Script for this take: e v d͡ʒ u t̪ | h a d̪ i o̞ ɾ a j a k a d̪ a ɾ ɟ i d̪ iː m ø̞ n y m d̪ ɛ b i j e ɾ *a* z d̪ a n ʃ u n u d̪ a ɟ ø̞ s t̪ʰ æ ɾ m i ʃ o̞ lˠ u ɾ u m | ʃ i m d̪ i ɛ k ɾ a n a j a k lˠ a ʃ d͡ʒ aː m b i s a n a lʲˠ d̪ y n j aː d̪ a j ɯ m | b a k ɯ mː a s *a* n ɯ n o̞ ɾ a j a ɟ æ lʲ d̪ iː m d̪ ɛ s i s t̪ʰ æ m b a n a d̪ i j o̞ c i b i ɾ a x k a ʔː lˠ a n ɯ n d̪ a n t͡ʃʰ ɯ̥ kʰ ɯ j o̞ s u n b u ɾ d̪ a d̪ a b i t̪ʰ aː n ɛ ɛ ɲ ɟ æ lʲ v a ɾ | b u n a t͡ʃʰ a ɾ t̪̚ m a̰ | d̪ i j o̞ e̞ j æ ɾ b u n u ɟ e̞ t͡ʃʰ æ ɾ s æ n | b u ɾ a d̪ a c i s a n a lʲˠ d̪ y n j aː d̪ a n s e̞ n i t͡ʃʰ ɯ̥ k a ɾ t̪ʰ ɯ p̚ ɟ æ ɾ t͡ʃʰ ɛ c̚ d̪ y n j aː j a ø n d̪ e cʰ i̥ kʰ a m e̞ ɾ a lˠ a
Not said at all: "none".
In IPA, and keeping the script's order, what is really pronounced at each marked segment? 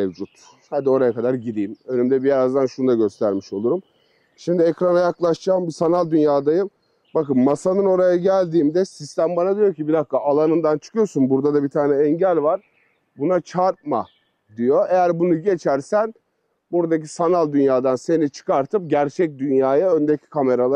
a, a

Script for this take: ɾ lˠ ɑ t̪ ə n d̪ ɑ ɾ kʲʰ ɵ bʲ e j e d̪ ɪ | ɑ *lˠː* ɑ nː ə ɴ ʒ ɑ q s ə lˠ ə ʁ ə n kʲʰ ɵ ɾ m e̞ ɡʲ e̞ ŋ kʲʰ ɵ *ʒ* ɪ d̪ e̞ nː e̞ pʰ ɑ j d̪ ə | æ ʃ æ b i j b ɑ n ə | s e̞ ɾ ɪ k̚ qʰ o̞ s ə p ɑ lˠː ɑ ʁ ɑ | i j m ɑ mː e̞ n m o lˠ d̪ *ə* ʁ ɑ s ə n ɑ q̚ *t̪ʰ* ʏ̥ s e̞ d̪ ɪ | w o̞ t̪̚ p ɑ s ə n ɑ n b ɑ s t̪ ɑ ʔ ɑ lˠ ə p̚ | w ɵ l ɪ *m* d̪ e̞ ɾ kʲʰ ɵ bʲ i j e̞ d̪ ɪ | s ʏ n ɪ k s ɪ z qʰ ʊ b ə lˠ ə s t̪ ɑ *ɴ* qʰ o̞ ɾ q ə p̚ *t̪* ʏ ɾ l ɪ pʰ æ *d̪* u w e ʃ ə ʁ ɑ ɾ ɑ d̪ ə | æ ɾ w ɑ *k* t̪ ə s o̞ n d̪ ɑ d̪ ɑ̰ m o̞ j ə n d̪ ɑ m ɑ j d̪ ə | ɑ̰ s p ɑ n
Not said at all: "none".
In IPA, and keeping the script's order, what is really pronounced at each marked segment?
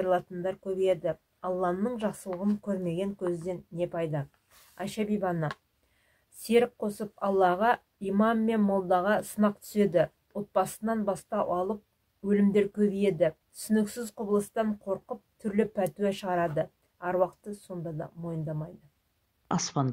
lˠː, z, ɑ, t̪ʰ, m, ɴ, t̪ʰ, t̪, q

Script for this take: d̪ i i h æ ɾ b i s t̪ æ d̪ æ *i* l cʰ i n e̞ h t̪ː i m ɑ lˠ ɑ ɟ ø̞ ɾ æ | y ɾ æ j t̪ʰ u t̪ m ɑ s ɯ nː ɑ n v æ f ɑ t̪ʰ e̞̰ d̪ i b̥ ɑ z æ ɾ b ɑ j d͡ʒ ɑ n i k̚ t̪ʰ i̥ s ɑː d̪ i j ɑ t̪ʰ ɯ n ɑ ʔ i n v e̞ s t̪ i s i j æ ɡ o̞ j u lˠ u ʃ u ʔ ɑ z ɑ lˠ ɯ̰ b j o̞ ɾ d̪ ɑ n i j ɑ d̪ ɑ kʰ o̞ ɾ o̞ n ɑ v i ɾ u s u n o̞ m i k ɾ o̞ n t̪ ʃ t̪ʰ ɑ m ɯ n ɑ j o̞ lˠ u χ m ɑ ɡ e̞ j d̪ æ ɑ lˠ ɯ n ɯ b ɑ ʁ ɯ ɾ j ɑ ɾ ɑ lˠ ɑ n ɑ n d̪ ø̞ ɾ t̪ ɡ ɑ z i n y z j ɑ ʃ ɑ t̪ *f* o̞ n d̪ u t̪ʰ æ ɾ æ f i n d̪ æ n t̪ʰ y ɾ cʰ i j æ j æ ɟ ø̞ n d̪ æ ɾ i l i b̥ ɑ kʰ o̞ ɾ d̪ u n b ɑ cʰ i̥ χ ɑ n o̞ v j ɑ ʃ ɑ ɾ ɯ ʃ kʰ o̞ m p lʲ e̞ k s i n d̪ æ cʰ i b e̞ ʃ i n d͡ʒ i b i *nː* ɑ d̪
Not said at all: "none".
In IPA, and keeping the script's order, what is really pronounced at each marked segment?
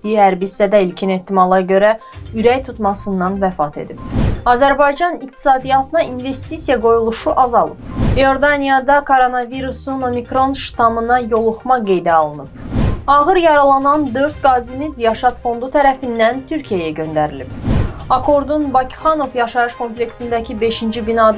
i, f, n

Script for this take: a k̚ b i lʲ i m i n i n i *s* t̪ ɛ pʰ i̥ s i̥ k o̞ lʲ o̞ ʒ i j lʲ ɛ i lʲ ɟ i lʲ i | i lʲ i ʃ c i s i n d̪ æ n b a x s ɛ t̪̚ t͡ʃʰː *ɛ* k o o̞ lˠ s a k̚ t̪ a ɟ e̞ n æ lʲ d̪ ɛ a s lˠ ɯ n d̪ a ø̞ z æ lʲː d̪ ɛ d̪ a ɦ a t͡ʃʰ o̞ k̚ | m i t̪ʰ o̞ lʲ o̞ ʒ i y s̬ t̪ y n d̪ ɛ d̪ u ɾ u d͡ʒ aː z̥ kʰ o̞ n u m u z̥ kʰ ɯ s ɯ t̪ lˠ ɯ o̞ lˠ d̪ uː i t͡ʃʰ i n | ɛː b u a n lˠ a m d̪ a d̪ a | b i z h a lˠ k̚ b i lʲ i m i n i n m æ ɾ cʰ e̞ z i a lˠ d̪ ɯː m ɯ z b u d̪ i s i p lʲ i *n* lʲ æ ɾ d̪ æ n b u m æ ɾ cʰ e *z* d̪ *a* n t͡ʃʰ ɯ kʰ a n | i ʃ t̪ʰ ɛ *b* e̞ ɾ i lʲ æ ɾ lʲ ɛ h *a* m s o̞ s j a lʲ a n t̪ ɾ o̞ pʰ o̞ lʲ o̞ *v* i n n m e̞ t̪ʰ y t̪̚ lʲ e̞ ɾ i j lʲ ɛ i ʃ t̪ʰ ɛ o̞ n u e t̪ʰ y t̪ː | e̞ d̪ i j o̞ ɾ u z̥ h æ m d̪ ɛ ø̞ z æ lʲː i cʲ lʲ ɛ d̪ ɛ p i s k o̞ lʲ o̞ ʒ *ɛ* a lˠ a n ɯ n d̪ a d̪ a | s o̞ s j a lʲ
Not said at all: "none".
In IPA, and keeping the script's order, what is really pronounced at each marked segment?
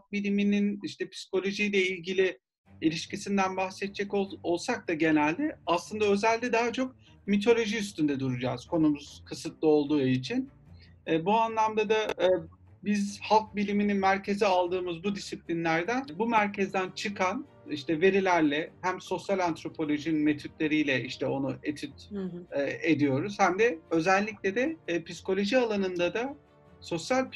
ʃ, ɛ, n, z, æ, v, æ, ʒ, i

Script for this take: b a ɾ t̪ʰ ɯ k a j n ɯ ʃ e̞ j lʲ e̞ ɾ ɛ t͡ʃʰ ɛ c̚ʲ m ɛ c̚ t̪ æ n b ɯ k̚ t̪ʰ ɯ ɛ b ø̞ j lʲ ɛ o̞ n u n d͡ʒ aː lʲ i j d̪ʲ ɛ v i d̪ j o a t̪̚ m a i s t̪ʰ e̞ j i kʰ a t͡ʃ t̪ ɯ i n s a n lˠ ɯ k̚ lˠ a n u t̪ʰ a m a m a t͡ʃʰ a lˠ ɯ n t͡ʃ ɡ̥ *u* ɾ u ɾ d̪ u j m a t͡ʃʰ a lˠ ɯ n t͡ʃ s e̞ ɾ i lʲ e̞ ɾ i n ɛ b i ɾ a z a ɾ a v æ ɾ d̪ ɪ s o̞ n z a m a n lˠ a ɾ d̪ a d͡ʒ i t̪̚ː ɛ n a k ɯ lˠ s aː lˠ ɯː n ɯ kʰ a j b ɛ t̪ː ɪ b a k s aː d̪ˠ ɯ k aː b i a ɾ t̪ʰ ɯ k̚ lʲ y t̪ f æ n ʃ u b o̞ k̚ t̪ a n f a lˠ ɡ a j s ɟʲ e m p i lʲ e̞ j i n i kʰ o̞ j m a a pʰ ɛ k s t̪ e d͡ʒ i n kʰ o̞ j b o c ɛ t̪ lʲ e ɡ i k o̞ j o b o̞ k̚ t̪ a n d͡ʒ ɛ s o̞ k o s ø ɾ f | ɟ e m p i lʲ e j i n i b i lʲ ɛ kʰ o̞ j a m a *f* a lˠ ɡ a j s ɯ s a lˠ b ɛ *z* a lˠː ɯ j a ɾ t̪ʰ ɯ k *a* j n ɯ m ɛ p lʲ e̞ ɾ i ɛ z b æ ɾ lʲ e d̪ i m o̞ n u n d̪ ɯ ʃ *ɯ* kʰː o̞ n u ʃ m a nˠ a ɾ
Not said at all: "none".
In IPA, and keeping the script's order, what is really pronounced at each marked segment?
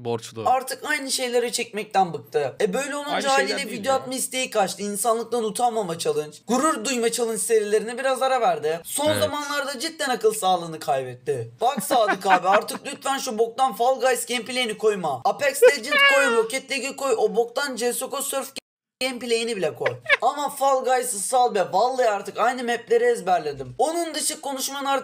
u, f, v, a, ɯ

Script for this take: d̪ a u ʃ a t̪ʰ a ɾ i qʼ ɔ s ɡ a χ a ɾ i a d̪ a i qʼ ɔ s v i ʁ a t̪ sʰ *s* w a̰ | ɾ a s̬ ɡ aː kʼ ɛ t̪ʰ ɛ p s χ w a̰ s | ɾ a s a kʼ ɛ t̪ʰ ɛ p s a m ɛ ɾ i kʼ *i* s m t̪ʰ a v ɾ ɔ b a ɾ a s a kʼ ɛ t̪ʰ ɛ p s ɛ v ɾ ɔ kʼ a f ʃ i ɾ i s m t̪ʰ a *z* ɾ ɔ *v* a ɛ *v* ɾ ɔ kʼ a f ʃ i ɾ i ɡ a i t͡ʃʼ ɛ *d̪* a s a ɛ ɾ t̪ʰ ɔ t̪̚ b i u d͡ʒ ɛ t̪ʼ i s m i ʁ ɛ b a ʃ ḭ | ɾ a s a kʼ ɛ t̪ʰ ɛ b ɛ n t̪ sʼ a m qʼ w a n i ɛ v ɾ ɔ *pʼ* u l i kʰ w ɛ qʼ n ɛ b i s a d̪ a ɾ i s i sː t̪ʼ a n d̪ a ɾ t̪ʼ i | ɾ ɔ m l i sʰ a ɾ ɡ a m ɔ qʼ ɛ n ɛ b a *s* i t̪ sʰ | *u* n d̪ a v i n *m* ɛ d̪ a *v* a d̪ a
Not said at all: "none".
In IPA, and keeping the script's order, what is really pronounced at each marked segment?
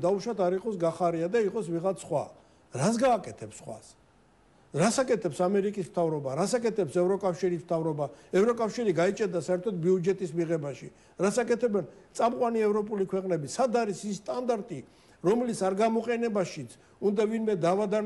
χ, i, v, b, v, d̪, pʼ, ʃ, u, m, v

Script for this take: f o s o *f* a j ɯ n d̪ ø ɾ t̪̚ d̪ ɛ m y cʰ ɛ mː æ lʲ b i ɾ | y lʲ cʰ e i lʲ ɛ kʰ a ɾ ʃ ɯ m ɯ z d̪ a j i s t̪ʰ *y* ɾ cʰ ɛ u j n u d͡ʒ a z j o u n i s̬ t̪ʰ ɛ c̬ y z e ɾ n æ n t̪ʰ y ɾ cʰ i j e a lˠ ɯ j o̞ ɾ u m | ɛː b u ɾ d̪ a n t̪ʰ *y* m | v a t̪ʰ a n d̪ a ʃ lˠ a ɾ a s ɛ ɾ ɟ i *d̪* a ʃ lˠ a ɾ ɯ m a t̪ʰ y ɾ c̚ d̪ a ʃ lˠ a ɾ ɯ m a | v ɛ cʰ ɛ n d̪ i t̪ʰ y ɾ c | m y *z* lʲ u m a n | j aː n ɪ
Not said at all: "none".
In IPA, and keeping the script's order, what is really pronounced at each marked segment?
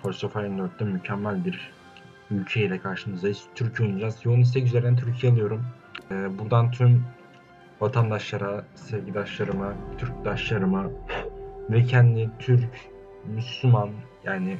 f, y, y, d̪, s

